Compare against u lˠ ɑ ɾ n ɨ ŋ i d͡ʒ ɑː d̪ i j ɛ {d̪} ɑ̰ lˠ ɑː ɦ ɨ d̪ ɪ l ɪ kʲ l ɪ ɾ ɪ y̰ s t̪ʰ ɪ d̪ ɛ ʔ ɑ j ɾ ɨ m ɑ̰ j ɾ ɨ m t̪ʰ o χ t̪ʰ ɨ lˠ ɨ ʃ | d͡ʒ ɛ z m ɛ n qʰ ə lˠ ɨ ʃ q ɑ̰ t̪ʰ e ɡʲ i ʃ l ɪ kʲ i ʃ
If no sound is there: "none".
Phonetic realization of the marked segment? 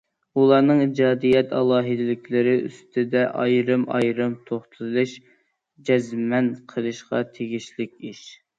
t̪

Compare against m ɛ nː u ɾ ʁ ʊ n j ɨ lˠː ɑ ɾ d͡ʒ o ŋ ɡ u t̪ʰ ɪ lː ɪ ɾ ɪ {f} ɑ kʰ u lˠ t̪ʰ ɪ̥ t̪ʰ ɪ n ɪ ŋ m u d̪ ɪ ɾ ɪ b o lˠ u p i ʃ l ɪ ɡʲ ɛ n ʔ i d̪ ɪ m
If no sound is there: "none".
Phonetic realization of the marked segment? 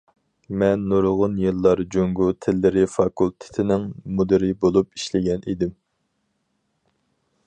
f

